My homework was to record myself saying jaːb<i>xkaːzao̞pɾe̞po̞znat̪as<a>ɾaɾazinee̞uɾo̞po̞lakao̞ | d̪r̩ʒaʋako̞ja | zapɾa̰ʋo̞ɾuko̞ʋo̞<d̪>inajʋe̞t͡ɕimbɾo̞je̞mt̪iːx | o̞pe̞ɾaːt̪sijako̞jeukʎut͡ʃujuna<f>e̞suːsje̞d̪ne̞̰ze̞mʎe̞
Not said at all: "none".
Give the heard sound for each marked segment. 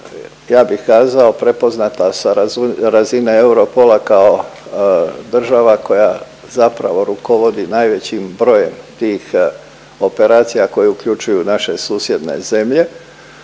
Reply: i, a, d̪, ʃ

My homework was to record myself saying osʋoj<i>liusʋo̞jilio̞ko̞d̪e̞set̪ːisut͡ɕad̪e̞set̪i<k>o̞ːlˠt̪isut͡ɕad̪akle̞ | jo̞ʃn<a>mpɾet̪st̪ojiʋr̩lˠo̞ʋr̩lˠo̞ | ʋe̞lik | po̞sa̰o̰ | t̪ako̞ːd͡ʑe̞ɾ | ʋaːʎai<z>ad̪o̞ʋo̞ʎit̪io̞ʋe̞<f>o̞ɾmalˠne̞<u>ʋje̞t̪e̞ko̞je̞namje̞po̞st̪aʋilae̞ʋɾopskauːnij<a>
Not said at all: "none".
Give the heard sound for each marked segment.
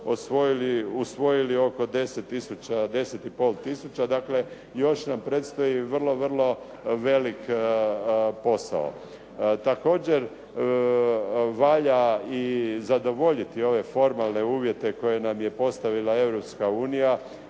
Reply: i, p, a, z, f, uː, a

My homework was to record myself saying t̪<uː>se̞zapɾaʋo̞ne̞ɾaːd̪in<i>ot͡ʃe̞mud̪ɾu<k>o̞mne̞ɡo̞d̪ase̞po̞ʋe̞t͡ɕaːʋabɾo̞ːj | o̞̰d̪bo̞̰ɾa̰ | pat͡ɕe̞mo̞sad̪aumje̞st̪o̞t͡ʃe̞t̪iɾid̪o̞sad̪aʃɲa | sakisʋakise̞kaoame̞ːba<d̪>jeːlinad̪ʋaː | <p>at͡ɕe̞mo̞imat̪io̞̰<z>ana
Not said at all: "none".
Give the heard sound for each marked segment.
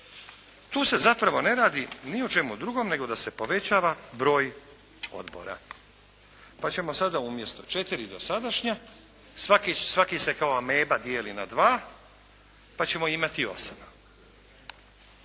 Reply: uː, i, ɡ, d̪, p, s

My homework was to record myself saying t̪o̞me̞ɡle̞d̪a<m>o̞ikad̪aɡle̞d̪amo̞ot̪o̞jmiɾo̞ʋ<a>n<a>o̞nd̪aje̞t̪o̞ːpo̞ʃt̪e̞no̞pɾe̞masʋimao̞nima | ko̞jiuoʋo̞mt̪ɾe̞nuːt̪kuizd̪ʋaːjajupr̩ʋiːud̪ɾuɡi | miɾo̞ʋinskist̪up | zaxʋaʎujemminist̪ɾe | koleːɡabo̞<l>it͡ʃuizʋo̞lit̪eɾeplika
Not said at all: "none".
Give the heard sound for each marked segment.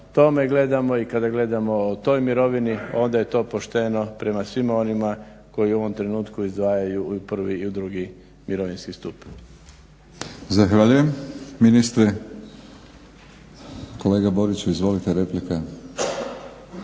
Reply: m, i, i, ɾ

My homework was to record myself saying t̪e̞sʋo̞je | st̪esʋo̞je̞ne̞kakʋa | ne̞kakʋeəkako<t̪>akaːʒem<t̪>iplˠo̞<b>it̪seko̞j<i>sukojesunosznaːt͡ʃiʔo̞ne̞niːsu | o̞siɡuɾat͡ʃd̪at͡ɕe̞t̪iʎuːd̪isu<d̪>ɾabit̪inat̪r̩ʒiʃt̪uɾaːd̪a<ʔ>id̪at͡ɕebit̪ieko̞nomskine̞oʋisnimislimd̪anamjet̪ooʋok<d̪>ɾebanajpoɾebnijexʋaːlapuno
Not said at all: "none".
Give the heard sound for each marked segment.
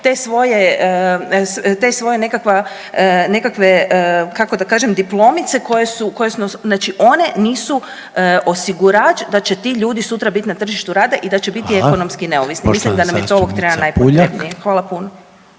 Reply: d̪, d̪, m, e, t̪, ʔ, t̪

